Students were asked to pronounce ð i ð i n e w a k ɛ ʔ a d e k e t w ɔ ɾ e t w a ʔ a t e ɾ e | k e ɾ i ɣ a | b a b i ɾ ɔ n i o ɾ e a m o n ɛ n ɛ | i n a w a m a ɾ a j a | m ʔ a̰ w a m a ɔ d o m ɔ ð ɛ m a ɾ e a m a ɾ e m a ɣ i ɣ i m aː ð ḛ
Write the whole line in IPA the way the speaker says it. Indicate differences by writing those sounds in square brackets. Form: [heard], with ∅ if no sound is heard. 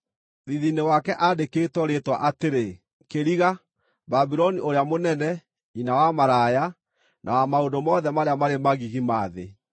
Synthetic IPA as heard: ð i ð i n e w a k ɛ ʔ a d e k e t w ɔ ɾ e t w a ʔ a t e ɾ e | k e ɾ i ɣ a | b a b i ɾ ɔ n i o ɾ e a m o n ɛ n ɛ | i n a w a m a ɾ a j a | [n] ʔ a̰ w a m a [o] d o m ɔ ð ɛ m a ɾ e a m a ɾ e m a ɣ i ɣ i m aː ð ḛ